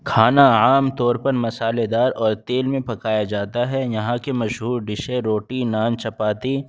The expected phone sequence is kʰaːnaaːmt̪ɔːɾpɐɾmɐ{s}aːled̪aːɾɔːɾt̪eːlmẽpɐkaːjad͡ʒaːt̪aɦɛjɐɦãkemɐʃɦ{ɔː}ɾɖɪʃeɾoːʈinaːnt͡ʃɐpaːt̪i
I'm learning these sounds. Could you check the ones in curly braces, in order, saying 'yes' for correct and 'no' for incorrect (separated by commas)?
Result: yes, no